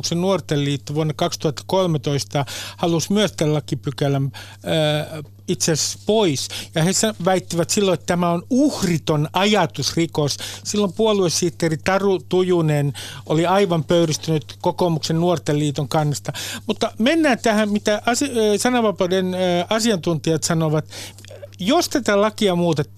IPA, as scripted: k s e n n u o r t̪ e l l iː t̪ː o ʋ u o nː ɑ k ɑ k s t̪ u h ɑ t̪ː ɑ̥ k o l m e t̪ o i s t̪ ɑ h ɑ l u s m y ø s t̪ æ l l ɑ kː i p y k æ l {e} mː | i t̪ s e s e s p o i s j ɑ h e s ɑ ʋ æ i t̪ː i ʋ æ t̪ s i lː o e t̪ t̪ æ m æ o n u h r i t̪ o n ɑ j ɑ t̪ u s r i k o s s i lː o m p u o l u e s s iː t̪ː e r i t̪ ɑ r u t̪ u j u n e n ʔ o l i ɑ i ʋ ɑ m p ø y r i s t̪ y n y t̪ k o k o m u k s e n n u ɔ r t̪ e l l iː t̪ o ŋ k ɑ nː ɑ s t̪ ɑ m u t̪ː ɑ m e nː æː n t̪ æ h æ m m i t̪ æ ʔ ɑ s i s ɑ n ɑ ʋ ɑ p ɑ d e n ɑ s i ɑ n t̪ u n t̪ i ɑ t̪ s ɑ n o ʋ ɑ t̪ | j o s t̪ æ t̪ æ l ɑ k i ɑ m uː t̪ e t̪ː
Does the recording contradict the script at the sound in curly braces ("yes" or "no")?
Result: yes